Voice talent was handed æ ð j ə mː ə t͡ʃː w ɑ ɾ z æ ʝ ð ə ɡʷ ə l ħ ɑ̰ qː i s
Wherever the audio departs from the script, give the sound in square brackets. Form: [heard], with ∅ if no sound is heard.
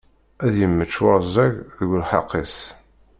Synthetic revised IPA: æ ð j ə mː ə t͡ʃː w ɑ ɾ z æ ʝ ð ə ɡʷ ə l ħ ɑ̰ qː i s